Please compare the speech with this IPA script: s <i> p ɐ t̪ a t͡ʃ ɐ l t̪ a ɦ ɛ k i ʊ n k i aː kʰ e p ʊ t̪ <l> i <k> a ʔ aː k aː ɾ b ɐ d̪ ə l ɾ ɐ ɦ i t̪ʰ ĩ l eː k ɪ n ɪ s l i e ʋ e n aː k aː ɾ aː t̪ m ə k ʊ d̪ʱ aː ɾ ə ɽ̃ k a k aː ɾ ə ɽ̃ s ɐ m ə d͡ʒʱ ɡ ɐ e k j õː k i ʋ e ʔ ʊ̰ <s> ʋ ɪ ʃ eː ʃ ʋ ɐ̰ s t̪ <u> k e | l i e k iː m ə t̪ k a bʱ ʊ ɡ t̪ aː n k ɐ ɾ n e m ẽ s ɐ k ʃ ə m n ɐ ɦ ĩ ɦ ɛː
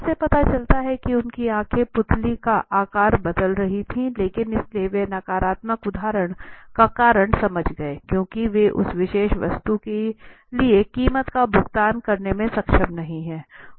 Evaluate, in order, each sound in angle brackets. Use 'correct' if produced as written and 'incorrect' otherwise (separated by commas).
incorrect, correct, correct, correct, correct